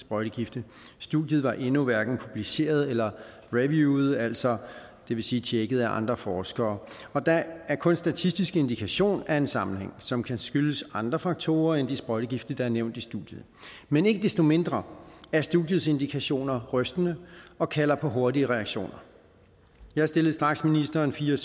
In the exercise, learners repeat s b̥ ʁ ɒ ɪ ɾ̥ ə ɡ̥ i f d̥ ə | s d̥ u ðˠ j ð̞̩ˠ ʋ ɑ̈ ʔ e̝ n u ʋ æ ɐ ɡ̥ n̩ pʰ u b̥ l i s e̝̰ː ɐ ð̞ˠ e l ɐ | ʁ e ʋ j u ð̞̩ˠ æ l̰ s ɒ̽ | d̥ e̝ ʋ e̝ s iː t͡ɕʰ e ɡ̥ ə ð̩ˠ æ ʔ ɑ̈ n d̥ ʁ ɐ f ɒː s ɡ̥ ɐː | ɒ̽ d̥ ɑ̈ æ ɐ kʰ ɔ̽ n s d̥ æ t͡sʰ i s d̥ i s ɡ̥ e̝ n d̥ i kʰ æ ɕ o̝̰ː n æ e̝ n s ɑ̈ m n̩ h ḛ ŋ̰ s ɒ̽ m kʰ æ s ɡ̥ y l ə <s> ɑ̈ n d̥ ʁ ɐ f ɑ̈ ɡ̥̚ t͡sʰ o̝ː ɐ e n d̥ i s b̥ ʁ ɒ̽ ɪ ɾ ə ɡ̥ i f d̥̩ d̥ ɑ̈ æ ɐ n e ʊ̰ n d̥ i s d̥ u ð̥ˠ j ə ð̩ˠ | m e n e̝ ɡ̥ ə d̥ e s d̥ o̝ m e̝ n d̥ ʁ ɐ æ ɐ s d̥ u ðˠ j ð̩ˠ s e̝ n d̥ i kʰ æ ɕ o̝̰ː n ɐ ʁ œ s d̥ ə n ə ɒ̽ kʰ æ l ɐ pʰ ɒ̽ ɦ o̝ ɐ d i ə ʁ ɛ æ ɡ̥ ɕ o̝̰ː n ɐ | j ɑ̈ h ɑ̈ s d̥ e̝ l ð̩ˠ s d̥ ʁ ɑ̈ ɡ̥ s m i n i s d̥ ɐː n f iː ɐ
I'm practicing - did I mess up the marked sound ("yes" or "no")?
no